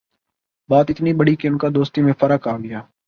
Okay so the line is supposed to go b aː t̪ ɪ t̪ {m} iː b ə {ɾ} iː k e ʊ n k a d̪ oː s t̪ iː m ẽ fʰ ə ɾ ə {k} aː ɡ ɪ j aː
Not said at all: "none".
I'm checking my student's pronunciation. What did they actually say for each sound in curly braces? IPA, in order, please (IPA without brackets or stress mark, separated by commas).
n, ɽ, k